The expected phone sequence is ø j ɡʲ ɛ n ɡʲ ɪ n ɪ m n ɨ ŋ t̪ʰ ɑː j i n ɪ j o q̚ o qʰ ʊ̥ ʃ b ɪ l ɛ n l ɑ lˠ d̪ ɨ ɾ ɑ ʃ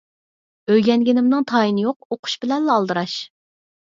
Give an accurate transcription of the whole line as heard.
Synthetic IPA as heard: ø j ɡʲ ɛ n ɡʲ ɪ n ɪ m n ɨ ŋ t̪ʰ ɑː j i n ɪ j o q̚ o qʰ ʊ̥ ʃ b ɪ l ɛ n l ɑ lˠ d̪ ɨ ɾ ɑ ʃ

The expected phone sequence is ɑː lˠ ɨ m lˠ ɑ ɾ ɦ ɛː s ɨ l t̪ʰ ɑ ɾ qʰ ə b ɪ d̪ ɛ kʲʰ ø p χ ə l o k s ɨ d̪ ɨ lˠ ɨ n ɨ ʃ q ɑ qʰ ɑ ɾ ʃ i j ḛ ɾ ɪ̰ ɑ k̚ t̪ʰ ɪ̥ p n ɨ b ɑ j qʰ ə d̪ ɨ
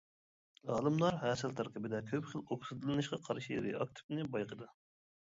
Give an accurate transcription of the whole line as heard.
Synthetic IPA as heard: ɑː lˠ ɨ m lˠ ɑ ɾ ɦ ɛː s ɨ l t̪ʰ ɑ ɾ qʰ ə b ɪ d̪ ɛ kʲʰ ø p χ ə l o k s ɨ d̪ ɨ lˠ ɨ n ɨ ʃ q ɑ qʰ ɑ ɾ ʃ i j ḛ ɾ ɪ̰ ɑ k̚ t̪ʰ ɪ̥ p n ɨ b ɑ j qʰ ə d̪ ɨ

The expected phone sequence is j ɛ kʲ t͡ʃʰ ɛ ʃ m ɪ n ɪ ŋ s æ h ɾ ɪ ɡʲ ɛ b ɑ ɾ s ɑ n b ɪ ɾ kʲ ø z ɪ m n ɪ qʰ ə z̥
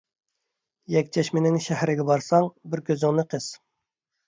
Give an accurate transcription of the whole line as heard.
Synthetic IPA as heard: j ɛ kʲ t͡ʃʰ ɛ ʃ m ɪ n ɪ ŋ ʃ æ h ɾ ɪ ɡʲ ɛ b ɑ ɾ s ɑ ŋ b ɪ ɾ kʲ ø z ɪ ŋ n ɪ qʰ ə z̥

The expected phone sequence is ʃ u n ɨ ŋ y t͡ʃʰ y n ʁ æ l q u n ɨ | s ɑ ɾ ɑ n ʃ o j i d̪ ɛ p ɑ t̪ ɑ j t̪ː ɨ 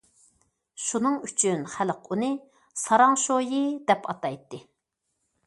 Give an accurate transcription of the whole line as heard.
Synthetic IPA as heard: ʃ u n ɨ ŋ y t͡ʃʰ y n χ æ l q u n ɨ | s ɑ ɾ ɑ ŋ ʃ o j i d̪ ɛ p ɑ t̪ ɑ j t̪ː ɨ

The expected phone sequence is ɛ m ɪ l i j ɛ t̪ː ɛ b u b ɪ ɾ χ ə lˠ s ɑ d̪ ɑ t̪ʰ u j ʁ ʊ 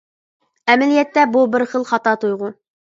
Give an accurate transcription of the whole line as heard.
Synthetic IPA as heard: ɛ m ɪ l i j ɛ t̪ː ɛ b u b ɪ ɾ χ ə lˠ χ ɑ t̪ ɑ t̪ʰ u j ʁ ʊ

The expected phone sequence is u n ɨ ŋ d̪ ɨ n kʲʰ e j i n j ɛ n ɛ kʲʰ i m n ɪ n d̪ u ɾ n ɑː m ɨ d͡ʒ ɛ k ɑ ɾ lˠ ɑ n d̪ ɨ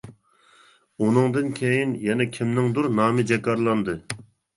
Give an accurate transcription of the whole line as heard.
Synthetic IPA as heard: u n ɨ ŋ d̪ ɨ n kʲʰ e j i n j ɛ n ɛ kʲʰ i m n ɪ ŋ d̪ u ɾ n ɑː m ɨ d͡ʒ ɛ k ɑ ɾ lˠ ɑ n d̪ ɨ

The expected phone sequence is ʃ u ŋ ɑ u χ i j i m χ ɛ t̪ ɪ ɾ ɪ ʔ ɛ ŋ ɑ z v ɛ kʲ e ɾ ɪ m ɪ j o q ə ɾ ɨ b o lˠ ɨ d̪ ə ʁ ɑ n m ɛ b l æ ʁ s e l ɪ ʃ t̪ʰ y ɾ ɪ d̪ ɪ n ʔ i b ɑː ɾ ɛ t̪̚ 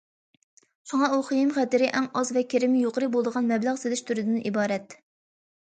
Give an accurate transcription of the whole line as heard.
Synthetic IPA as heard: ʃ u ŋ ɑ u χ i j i m χ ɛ t̪ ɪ ɾ ɪ ʔ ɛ ŋ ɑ z v ɛ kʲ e ɾ ɪ m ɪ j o q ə ɾ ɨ b o lˠ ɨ d̪ ə ʁ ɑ n m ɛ b l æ ʁ s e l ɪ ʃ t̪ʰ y ɾ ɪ d̪ ɪ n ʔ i b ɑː ɾ ɛ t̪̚

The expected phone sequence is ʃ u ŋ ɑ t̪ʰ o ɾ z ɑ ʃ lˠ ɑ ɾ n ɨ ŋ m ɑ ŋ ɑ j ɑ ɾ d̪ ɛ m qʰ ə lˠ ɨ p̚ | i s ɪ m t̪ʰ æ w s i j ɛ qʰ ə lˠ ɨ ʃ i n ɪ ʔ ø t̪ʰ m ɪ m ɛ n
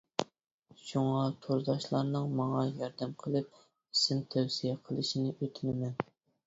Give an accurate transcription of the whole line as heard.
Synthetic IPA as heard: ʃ u ŋ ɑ t̪ʰ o ɾ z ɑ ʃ lˠ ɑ ɾ n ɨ ŋ m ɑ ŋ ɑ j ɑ ɾ d̪ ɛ m qʰ ə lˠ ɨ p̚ | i s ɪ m t̪ʰ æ w s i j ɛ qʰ ə lˠ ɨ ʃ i n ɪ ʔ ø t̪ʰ m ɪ m ɛ n

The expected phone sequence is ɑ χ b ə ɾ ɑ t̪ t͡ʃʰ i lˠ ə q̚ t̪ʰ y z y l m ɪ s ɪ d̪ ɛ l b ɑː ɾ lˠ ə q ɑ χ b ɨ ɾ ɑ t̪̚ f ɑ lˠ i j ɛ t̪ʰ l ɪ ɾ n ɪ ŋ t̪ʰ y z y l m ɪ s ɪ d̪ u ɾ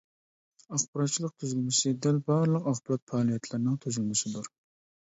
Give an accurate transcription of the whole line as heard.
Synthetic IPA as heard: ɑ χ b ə ɾ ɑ t̪ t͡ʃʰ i lˠ ə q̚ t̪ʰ y z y l m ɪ s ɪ d̪ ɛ l b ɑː ɾ lˠ ə q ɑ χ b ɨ ɾ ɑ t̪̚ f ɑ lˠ i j ɛ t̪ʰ l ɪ ɾ n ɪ ŋ t̪ʰ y z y l m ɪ s ɪ d̪ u ɾ

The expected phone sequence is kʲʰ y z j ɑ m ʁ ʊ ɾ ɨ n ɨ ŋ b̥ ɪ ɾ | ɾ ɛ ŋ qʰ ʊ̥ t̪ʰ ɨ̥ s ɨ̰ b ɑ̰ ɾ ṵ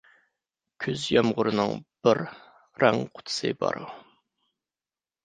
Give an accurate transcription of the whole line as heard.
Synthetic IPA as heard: kʲʰ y z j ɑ m ʁ ʊ ɾ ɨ n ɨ ŋ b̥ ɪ ɾ | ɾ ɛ ŋ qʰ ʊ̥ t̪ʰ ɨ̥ s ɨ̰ b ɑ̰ ɾ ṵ

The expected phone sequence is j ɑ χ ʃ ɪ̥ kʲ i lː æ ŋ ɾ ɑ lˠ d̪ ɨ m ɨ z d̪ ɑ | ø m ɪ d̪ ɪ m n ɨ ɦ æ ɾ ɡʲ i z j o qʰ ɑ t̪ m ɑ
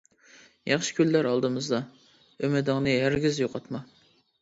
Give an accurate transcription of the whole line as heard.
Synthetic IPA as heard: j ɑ χ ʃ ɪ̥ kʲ y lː æ ɾ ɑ lˠ d̪ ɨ m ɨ z d̪ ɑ | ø m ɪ d̪ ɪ ŋ n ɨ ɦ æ ɾ ɡʲ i z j o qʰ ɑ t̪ m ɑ

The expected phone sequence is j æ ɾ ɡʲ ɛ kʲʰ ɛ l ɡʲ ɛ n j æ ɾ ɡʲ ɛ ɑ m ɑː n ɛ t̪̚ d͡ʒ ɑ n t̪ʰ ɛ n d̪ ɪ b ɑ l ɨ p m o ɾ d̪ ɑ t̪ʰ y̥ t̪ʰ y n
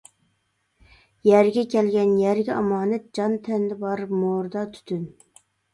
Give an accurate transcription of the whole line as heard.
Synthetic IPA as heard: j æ ɾ ɡʲ ɛ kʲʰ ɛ l ɡʲ ɛ n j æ ɾ ɡʲ ɛ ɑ m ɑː n ɛ t̪̚ d͡ʒ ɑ n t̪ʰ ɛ n d̪ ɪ b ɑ ɾ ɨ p m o ɾ d̪ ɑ t̪ʰ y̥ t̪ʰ y n

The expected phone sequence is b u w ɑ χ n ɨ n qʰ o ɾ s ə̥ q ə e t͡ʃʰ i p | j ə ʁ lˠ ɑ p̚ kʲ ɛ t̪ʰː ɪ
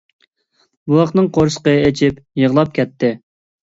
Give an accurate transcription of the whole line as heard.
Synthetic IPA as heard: b u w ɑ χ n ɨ ŋ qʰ o ɾ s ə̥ q ə e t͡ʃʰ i p | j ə ʁ lˠ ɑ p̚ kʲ ɛ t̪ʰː ɪ

